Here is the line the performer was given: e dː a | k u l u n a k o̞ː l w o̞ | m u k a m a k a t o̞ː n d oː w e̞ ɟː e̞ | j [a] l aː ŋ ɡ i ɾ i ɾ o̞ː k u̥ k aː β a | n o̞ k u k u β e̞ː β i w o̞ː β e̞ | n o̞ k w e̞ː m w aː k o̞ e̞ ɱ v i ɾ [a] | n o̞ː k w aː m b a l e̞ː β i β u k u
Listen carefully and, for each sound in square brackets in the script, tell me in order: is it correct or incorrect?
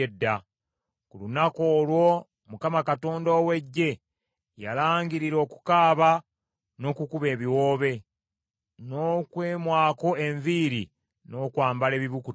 correct, incorrect

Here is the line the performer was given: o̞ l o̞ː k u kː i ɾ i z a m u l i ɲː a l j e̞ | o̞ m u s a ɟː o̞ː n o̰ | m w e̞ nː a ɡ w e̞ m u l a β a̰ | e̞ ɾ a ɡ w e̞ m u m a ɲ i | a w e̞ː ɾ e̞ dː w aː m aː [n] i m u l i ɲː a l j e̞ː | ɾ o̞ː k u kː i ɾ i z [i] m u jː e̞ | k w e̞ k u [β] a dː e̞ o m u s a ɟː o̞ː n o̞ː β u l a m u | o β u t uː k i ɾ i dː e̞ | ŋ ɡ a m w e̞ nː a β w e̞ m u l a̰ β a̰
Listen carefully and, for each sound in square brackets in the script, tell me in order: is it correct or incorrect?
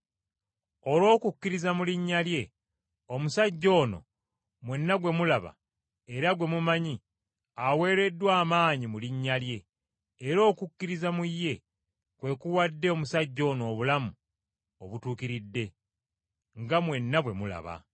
incorrect, incorrect, incorrect

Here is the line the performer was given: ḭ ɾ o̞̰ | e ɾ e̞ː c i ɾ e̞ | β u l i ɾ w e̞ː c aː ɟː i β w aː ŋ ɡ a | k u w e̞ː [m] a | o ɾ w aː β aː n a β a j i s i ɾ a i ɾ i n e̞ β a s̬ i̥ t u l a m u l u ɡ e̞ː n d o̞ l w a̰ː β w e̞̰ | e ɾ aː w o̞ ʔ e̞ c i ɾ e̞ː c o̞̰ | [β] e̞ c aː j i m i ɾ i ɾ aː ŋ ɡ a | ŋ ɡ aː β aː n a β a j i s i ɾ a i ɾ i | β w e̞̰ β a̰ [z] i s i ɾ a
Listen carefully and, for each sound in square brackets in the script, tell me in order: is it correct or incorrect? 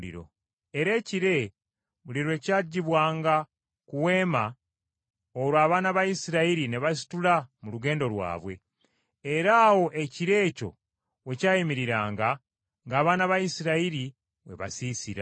correct, incorrect, incorrect

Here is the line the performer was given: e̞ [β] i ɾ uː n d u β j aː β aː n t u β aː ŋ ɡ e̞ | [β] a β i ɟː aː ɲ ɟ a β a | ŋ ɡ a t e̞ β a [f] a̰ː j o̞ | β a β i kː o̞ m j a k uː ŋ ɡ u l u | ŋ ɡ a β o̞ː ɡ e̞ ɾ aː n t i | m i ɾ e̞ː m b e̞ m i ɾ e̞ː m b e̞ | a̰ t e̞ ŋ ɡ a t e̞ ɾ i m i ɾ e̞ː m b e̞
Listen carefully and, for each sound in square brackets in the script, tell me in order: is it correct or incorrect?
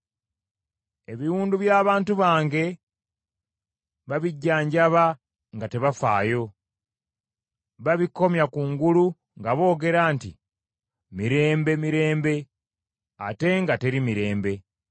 correct, correct, correct

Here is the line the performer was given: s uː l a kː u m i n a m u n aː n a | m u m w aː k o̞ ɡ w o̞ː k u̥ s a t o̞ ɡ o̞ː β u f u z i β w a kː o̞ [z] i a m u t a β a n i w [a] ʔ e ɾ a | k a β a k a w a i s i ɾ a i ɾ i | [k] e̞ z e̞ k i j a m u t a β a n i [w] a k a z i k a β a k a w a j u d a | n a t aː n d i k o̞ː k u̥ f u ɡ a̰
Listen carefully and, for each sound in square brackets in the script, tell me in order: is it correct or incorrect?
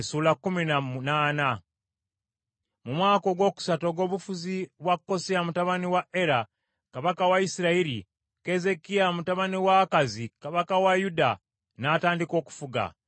incorrect, correct, correct, correct

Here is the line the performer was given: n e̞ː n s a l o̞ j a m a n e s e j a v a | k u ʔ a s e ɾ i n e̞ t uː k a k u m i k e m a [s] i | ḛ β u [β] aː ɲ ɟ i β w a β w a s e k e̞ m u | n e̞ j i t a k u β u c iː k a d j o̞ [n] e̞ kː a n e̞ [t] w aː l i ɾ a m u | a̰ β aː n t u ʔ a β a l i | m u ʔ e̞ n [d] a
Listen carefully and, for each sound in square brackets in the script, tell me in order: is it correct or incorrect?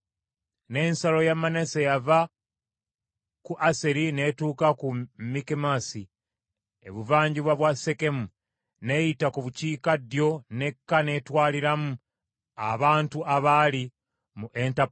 correct, incorrect, correct, correct, incorrect

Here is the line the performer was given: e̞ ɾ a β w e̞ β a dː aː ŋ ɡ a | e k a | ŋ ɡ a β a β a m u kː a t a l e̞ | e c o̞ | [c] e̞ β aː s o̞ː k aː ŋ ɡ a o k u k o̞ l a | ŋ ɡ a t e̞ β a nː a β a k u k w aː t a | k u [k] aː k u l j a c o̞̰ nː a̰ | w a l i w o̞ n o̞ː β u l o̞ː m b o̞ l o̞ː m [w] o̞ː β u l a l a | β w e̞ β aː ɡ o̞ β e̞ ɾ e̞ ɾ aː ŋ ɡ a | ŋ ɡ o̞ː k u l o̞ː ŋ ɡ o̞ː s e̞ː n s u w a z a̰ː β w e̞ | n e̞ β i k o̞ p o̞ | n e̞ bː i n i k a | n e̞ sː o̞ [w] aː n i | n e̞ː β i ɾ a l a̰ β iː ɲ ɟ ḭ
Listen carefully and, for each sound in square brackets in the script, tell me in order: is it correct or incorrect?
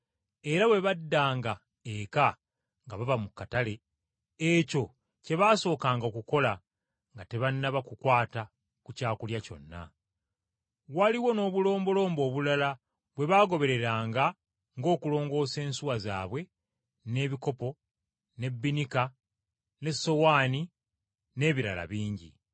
correct, incorrect, incorrect, correct

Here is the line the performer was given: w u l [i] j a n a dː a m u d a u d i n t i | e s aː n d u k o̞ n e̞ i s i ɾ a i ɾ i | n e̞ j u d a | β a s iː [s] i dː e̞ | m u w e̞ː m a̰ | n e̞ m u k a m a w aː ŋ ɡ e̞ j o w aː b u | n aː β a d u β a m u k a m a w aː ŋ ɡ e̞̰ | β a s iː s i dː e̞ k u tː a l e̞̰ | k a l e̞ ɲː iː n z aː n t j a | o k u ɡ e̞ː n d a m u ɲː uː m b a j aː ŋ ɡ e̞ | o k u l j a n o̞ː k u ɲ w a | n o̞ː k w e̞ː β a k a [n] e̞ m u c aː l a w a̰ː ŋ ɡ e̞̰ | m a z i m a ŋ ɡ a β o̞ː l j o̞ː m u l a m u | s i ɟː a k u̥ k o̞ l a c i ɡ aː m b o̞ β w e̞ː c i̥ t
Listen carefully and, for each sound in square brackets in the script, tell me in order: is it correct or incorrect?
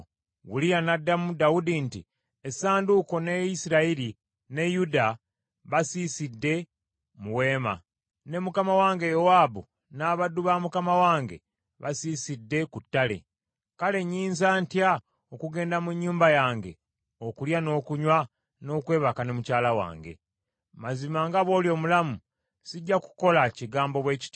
correct, correct, correct

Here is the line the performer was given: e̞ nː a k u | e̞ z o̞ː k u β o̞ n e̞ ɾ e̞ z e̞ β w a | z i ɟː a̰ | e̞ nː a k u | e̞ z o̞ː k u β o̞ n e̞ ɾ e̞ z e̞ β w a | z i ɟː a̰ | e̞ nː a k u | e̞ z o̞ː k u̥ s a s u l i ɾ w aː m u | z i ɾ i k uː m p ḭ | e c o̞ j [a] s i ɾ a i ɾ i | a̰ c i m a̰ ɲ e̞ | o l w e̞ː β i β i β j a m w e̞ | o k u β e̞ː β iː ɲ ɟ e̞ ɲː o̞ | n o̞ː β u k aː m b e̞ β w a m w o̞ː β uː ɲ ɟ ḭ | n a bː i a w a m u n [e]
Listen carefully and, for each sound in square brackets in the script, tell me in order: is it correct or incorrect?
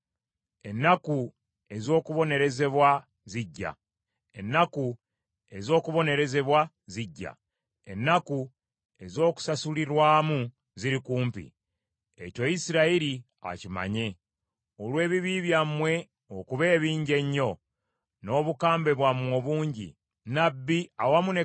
incorrect, correct

